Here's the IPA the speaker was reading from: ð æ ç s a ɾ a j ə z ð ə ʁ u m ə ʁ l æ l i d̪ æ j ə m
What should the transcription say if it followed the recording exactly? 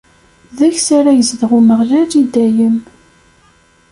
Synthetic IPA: ð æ ç s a ɾ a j ə z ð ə ʁ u m ə ʁ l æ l i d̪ æ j ə m